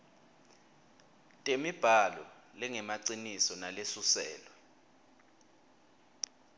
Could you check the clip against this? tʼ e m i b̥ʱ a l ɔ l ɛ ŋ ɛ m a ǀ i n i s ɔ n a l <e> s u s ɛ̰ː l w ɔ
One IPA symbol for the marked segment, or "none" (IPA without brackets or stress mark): e